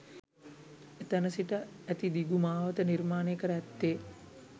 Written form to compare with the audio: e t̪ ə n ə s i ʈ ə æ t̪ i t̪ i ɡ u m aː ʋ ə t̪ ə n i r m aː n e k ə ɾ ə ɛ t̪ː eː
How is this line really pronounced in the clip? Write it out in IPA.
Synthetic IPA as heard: e t̪ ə n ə s i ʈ ə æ t̪ i d̪ i ɡ u m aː ʋ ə t̪ ə n i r m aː n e k ə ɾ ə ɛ t̪ː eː